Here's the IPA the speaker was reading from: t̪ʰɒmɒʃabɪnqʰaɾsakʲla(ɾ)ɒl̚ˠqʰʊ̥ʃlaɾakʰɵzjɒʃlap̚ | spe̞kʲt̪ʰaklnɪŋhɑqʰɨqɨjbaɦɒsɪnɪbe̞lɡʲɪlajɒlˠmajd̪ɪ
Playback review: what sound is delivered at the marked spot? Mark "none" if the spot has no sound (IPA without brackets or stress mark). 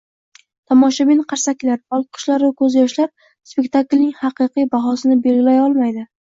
ɾ